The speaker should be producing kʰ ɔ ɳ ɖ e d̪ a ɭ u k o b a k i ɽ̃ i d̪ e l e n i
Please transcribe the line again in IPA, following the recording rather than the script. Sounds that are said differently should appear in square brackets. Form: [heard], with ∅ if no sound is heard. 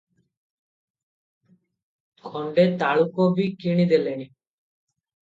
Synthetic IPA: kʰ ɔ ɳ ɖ e [t̪] a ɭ u k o b [i] k i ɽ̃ i d̪ e l e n i